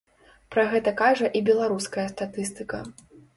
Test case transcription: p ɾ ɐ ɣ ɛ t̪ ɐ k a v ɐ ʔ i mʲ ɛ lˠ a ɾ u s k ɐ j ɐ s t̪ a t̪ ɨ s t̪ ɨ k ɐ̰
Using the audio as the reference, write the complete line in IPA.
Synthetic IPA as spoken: p ɾ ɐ ɣ ɛ t̪ ɐ k a ʐ ɐ ʔ i bʲ ɛ lˠ a ɾ u s k ɐ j ɐ s t̪ a t̪ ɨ s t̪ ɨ k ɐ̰